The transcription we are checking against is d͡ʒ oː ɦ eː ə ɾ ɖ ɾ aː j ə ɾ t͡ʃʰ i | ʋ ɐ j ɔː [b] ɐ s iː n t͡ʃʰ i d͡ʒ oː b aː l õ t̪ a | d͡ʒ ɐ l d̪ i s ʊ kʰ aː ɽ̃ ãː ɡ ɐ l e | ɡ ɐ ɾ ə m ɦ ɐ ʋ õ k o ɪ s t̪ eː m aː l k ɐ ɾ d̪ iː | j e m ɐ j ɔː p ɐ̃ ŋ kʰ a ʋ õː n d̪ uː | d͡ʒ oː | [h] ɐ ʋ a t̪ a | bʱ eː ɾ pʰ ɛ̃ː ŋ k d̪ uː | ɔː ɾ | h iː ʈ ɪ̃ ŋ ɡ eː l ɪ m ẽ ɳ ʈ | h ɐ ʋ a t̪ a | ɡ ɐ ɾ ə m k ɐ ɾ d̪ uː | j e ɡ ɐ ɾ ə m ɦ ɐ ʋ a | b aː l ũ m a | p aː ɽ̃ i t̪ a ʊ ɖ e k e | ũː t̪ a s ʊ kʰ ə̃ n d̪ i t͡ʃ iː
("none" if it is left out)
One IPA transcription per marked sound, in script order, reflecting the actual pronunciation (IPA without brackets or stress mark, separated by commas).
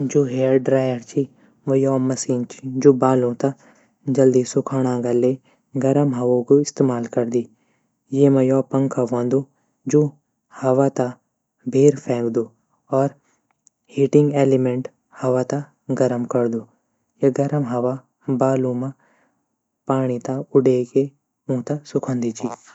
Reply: m, h